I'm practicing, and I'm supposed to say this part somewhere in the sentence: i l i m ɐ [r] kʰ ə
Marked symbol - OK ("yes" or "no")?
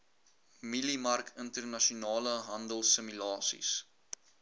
yes